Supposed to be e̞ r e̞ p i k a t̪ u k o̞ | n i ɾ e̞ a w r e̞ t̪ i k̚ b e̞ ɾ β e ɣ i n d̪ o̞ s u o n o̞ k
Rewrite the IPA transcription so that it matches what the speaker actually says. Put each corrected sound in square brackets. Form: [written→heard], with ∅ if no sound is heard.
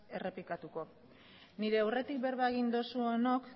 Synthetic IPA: e̞ r e̞ p i k a t̪ u k o̞ | n i ɾ e̞ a w r e̞ t̪ i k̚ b e̞ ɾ β [e→a] ɣ i n d̪ o̞ s u o n o̞ k